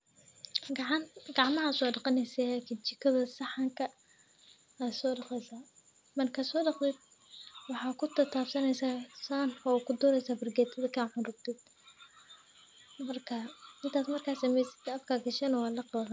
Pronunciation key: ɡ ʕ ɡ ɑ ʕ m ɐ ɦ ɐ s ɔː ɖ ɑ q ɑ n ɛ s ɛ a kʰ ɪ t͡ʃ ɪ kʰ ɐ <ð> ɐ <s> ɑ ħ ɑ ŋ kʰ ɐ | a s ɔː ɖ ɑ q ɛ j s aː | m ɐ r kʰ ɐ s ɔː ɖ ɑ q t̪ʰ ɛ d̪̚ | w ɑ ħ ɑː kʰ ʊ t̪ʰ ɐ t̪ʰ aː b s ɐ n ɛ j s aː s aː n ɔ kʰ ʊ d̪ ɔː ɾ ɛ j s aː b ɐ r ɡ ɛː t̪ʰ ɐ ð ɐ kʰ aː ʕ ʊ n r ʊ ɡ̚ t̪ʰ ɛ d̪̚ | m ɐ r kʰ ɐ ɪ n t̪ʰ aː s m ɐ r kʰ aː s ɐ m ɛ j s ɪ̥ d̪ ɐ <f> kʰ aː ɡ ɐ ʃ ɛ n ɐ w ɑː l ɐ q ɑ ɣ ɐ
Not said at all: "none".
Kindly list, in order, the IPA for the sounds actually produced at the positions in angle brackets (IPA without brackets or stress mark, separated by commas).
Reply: ð, s, f